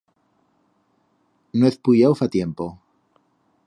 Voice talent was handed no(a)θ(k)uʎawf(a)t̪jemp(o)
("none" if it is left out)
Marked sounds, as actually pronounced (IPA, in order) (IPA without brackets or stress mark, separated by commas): e, p, a, o